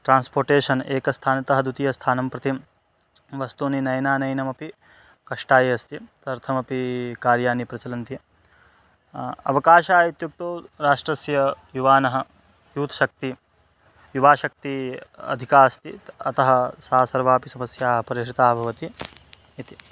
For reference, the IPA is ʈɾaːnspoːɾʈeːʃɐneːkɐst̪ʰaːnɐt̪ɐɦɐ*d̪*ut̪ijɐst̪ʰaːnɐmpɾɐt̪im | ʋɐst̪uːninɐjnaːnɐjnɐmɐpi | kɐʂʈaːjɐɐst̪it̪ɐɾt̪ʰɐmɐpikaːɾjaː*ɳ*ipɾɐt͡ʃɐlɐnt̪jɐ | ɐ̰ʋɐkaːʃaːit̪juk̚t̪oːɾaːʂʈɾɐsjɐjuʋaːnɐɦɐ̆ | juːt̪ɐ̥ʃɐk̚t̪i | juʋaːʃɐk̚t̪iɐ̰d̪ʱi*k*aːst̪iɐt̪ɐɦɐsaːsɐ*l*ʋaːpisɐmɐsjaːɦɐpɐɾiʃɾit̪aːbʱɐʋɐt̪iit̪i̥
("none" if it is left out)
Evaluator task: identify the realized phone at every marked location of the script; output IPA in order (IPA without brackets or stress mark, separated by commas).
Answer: d̪, n, k, ɾ